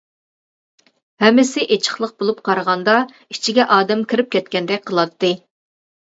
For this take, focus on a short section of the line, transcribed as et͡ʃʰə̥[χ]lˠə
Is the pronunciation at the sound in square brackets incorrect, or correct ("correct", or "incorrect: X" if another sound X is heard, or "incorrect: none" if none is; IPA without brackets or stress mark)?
correct